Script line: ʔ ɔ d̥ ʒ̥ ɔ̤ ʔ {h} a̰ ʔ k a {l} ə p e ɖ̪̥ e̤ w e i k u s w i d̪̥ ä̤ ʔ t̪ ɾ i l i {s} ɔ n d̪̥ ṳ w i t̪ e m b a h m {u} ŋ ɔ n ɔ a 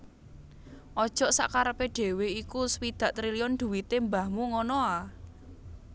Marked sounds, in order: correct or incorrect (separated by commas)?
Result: incorrect, incorrect, incorrect, correct